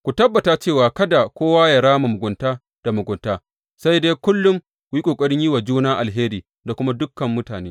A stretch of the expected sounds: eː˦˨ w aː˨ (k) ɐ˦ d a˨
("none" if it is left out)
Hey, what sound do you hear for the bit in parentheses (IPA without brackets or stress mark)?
k